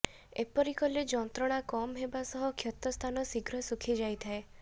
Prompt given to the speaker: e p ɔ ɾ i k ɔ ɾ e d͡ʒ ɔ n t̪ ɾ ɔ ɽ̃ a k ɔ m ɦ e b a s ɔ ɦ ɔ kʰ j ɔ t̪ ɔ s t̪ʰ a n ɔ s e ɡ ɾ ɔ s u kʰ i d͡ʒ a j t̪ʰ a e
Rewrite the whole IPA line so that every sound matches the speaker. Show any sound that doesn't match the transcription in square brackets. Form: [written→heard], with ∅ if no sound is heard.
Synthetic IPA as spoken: e p ɔ ɾ i k ɔ [ɾ→l] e d͡ʒ ɔ n t̪ ɾ ɔ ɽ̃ a k ɔ m ɦ e b a s ɔ ɦ ɔ kʰ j ɔ t̪ ɔ s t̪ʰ a n ɔ s [e→i] ɡ ɾ ɔ s u kʰ i d͡ʒ a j t̪ʰ a e